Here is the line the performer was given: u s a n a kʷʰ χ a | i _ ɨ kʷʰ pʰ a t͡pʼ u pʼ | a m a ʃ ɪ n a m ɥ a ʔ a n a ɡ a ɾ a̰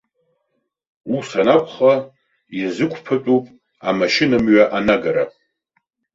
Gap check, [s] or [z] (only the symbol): z